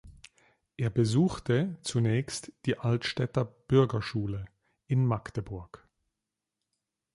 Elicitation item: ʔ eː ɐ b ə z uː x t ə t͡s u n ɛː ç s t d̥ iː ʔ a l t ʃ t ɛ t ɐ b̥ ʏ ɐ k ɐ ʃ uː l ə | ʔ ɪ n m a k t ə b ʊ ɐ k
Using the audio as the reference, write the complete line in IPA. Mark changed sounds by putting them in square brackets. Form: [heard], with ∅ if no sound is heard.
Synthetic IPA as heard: ʔ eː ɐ b ə z uː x t ə t͡s u n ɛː ç s t d̥ iː ʔ a l t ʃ t ɛ t ɐ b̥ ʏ ɐ [ɡ] ɐ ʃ uː l ə | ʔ ɪ n m a k t ə b ʊ ɐ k

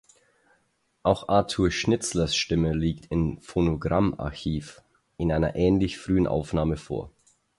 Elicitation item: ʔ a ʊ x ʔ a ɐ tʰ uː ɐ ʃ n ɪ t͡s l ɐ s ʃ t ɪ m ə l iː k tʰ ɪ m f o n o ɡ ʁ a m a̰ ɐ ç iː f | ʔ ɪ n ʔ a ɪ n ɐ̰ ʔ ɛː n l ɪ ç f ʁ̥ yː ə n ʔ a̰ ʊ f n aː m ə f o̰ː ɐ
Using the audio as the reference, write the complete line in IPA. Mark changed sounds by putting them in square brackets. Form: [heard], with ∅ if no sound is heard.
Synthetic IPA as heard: ʔ a ʊ x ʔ a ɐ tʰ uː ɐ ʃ n ɪ t͡s l ɐ s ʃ t ɪ m ə l iː k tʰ ɪ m f o n o ɡ ʁ a m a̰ ɐ ç iː f | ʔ ɪ n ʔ a ɪ n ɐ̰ ʔ ɛː n l ɪ ç f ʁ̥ yː ə n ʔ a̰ ʊ f n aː m ə f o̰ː ɐ

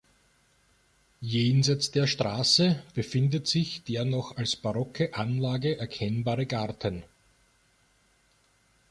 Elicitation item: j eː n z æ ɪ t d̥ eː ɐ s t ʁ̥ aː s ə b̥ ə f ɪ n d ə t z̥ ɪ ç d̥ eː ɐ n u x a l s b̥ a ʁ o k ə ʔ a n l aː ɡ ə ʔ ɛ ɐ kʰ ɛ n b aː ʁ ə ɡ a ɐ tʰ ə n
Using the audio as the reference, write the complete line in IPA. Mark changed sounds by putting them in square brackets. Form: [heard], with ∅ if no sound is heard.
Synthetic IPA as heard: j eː n z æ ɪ [t͡s] d̥ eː ɐ [ʃ] t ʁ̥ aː s ə b̥ ə f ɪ n d ə t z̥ ɪ ç d̥ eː ɐ n [ɔ] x a l s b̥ a ʁ [ɔ] k ə ʔ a n l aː ɡ ə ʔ ɛ ɐ kʰ ɛ n b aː ʁ ə ɡ a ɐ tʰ ə n

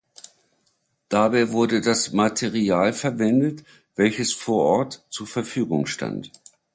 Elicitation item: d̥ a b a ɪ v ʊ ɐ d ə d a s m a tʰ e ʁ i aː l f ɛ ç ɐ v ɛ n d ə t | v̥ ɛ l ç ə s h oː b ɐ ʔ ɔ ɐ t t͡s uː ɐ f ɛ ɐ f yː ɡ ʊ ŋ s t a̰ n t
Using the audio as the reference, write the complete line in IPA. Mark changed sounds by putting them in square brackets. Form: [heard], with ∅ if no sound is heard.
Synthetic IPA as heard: d̥ a b a ɪ v ʊ ɐ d ə d a s m a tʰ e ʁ i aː l f ɛ [∅] ɐ v ɛ n d ə t | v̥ ɛ l ç ə s [f] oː [∅] ɐ ʔ ɔ ɐ t t͡s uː ɐ f ɛ ɐ f yː ɡ ʊ ŋ [ʃ] t a̰ n t

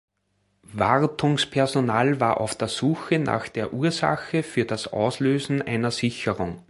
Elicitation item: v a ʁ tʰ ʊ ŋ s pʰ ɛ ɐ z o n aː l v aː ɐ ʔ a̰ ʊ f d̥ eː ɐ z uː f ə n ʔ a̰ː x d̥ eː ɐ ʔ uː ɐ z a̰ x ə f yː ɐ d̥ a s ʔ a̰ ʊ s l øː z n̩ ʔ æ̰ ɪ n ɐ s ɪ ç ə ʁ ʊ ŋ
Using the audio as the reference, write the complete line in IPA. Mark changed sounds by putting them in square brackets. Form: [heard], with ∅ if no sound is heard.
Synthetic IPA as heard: v a ʁ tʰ ʊ ŋ s pʰ ɛ ɐ z o n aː l v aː ɐ ʔ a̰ ʊ f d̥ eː ɐ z uː [x] ə n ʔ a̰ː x d̥ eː ɐ ʔ uː ɐ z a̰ x ə f yː ɐ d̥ a s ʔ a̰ ʊ s l øː z n̩ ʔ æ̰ ɪ n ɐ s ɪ ç ə ʁ ʊ ŋ

